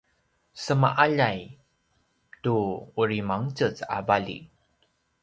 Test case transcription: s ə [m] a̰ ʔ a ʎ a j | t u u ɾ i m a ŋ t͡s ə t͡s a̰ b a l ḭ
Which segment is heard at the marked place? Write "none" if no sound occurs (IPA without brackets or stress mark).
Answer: m